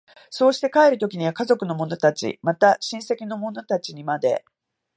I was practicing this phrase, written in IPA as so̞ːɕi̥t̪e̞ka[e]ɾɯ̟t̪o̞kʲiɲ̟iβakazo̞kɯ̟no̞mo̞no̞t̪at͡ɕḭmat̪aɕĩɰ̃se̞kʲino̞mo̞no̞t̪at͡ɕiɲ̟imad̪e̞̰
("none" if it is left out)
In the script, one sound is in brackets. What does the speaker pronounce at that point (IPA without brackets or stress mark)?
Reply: e